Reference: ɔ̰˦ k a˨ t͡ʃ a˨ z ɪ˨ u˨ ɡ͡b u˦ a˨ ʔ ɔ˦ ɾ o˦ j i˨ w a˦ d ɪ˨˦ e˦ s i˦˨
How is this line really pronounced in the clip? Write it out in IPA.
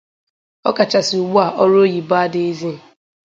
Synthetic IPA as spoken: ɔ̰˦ k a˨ t͡ʃ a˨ s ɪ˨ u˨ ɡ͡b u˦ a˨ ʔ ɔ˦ ɾ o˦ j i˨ b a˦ d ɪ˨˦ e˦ z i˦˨